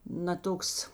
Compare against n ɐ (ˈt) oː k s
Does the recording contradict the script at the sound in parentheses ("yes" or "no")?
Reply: no